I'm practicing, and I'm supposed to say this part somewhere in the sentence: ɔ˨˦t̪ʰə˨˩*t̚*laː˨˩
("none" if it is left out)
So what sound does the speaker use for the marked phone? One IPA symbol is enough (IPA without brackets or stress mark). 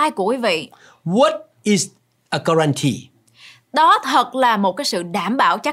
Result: t̚